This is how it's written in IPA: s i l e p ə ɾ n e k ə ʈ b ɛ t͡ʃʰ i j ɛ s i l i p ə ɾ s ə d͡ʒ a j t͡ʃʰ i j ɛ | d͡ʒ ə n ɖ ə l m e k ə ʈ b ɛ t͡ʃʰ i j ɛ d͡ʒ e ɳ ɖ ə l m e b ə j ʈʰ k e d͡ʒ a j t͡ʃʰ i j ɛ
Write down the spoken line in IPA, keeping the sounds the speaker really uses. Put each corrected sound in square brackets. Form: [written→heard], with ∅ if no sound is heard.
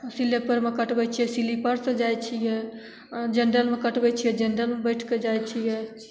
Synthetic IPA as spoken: s i l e p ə ɾ [n→m] e k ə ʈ b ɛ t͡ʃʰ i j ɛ s i l i p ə ɾ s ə d͡ʒ a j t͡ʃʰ i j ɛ | d͡ʒ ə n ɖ ə l m e k ə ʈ b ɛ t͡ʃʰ i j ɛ d͡ʒ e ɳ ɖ ə l m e b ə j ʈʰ k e d͡ʒ a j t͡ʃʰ i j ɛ